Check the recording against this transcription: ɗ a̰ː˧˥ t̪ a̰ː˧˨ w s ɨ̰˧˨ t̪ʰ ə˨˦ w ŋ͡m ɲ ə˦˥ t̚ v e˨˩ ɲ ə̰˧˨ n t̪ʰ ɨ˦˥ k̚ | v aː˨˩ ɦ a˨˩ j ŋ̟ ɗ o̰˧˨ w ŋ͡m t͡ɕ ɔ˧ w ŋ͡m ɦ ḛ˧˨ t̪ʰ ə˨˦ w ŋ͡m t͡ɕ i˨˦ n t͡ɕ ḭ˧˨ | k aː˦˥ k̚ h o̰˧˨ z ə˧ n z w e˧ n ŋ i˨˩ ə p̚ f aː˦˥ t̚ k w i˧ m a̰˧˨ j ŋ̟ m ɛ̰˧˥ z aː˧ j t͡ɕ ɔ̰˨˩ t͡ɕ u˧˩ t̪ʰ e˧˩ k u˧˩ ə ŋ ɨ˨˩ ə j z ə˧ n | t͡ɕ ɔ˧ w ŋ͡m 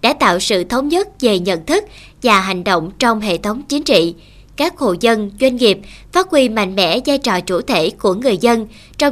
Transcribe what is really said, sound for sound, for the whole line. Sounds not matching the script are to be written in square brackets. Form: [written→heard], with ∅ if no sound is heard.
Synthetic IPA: ɗ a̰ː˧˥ t̪ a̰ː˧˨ w s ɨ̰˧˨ t̪ʰ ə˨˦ w ŋ͡m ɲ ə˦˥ t̚ v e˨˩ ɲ ə̰˧˨ n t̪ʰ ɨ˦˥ k̚ | v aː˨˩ ɦ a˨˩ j ŋ̟ ɗ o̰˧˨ w ŋ͡m t͡ɕ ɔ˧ w ŋ͡m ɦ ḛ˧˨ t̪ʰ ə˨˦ w ŋ͡m t͡ɕ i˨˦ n t͡ɕ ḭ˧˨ | k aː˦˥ k̚ h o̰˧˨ z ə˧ n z w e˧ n ŋ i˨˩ ə p̚ f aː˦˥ t̚ k w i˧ m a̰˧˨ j ŋ̟ m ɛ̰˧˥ z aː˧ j t͡ɕ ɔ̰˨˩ t͡ɕ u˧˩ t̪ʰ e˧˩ k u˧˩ ə ŋ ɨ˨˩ ə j z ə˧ n | t͡ɕ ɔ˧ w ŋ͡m